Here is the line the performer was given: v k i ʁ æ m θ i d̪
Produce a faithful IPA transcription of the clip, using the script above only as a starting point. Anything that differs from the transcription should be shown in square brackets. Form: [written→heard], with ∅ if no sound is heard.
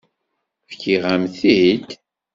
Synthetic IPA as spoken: [v→f] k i ʁ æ m θ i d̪